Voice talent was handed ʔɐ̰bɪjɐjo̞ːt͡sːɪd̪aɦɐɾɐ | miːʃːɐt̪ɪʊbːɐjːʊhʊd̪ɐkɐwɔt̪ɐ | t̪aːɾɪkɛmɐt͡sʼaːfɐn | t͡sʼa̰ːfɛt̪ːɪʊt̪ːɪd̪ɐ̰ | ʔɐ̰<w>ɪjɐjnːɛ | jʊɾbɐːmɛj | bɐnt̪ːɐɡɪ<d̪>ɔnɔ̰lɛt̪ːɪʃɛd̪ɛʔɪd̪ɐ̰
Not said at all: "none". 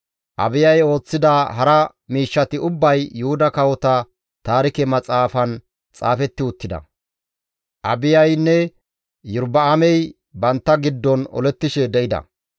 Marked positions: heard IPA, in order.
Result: b, d̪ː

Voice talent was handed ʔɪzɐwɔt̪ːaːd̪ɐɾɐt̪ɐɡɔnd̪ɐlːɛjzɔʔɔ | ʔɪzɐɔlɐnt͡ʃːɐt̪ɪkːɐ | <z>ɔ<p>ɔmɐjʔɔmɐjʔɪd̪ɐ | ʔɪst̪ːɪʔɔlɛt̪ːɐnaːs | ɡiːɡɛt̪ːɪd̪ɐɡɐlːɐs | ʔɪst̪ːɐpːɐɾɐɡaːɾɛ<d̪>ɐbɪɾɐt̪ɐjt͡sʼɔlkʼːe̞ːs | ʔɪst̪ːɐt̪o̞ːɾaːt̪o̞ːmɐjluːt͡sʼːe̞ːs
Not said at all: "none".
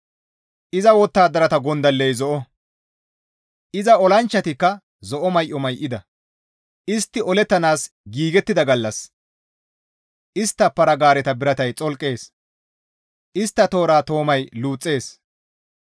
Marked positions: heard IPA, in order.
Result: z, ʔ, t̪

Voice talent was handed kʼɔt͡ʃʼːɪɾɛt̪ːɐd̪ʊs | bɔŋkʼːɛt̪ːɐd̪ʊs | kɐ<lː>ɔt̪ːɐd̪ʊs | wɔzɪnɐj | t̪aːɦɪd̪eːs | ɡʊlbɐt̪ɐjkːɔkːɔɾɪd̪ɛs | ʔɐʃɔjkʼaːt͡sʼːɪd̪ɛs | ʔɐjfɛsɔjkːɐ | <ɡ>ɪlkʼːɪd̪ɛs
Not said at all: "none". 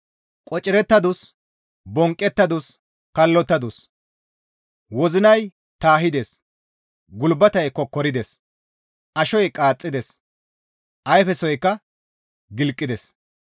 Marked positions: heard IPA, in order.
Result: lː, ɡ

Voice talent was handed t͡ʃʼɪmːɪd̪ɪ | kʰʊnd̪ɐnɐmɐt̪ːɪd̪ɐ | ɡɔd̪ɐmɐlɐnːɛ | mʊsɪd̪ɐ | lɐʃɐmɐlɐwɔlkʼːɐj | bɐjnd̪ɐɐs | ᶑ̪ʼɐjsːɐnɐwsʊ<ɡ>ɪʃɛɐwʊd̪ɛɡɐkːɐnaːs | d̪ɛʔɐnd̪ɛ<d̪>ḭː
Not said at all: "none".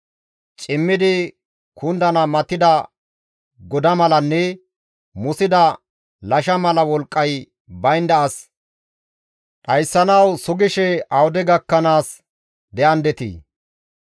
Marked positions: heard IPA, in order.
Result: ɡ, t̪

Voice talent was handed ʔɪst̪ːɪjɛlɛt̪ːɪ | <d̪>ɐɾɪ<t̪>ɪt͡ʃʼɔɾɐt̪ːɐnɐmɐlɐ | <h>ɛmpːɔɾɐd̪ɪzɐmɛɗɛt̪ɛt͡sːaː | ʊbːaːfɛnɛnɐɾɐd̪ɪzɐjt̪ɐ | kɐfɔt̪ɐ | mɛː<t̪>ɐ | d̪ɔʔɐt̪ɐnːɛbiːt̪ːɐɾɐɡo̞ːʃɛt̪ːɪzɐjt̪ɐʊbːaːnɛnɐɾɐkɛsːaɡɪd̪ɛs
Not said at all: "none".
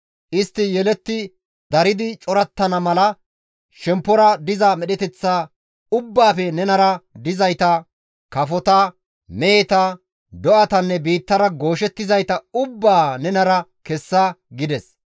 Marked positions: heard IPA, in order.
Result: d̪, d̪, ʃ, t̪

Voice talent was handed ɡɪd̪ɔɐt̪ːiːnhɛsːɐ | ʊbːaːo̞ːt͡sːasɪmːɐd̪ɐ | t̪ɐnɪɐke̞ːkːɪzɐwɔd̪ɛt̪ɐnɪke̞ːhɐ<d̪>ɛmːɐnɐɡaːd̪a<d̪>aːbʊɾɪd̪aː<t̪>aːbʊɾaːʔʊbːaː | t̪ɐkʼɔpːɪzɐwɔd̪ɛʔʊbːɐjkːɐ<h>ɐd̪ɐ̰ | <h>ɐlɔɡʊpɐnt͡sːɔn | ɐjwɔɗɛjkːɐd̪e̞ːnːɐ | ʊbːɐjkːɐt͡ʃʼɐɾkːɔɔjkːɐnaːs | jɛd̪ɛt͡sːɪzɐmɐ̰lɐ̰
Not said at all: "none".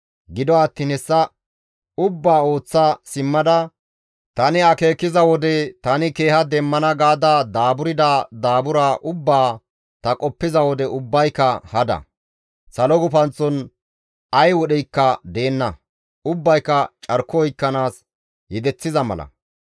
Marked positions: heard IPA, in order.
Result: d̪, d̪, d̪, h, s

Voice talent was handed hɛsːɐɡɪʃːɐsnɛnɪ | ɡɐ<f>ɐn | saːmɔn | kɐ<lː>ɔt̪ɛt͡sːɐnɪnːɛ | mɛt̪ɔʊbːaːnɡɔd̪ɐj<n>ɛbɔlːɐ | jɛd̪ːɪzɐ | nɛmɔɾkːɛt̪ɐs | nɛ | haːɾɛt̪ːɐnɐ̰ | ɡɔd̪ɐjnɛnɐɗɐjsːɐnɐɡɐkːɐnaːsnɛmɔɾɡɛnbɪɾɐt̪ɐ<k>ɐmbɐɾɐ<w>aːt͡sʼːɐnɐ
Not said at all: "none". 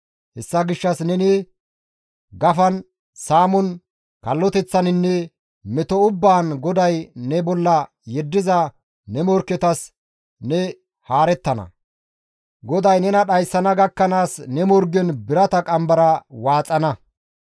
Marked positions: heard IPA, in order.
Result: f, lː, n, kʼ, w

